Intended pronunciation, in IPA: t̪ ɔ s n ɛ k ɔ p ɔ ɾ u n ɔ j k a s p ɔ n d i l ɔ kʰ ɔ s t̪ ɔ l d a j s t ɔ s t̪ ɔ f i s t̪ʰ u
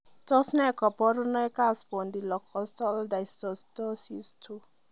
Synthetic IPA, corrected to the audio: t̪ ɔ s n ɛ k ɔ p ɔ ɾ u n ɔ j k a s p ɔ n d i l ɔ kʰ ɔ s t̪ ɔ l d a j s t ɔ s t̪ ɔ s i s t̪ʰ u